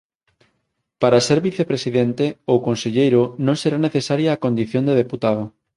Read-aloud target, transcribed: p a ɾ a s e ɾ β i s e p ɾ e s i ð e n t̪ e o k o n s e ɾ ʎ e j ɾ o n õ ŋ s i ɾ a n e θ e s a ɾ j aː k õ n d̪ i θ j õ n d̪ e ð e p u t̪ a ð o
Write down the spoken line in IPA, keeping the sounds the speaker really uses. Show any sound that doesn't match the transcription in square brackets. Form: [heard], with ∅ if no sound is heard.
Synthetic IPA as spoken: p a ɾ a s e ɾ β i [θ] e p ɾ e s i ð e n t̪ e o k o n s e [∅] ʎ e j ɾ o n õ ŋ s [e] ɾ a n e θ e s a ɾ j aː k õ n d̪ i θ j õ n d̪ e ð e p u t̪ a ð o